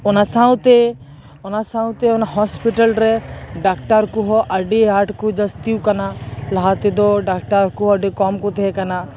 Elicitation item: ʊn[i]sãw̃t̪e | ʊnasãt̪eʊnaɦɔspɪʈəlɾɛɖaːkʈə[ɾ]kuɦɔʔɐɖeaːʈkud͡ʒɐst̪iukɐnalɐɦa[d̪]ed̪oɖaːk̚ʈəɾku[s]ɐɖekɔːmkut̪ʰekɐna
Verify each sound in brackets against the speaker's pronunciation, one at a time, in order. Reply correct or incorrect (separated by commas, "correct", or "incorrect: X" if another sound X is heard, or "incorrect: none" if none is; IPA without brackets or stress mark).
incorrect: a, correct, incorrect: t̪, incorrect: none